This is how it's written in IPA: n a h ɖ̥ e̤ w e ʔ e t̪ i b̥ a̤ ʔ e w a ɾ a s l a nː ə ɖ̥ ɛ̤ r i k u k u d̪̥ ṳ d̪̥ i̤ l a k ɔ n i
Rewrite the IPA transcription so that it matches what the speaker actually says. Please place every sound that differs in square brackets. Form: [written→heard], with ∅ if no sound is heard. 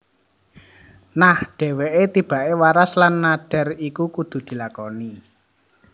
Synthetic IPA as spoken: n a h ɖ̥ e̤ w e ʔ e t̪ i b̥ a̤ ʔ e w a ɾ a s l a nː [ə→a] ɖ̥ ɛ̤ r i k u k u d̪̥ ṳ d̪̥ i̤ l a k ɔ n i